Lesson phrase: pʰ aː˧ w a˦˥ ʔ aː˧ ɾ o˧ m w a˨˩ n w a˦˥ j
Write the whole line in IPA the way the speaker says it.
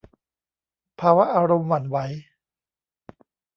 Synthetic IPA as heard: pʰ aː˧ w a˦˥ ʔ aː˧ ɾ o˧ m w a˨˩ n w a˦˥ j